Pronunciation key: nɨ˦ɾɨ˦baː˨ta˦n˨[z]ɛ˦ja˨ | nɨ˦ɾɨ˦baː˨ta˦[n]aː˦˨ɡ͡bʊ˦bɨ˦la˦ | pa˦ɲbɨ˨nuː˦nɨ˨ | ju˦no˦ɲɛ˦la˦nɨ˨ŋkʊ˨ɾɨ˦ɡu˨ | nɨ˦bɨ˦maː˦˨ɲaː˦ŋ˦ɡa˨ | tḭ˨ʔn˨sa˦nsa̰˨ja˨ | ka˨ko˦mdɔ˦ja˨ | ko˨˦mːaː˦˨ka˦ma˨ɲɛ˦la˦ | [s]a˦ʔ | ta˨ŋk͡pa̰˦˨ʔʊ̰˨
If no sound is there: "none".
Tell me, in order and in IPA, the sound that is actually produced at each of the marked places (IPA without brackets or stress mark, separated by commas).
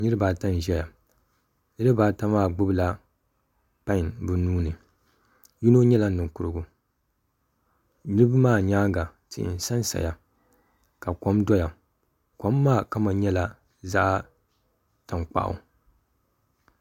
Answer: ʒ, m, z